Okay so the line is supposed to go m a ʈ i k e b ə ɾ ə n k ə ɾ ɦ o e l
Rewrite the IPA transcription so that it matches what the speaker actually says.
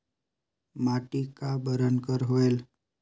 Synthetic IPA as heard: m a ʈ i k a b ə ɾ ə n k ə ɾ ɦ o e l